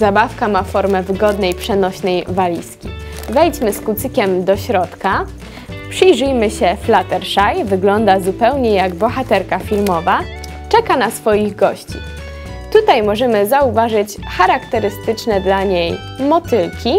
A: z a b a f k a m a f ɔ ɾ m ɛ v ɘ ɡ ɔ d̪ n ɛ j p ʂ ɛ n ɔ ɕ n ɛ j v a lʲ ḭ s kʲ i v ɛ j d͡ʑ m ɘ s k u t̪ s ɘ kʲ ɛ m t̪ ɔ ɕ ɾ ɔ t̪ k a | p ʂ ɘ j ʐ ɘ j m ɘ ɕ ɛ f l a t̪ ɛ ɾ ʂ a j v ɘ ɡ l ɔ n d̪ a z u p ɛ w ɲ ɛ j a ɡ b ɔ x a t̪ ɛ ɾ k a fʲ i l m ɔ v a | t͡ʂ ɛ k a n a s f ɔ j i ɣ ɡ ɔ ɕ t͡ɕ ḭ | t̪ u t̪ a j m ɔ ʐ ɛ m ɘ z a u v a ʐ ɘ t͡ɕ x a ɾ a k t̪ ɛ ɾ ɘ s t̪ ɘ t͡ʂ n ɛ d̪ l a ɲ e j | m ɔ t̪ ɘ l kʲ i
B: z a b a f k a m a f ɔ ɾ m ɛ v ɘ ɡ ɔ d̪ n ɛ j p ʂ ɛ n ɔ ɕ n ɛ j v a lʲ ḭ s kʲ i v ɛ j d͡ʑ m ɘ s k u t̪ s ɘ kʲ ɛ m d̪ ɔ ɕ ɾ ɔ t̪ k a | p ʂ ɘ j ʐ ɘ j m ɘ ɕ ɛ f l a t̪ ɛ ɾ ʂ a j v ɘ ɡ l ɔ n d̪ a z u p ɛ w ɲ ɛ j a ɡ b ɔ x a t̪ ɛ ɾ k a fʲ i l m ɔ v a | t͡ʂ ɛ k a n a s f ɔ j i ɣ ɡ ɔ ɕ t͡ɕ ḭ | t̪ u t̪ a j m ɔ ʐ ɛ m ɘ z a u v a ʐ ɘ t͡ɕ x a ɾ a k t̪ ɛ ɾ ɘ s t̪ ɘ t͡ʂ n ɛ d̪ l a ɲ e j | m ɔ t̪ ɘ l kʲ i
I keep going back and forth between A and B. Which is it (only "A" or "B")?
B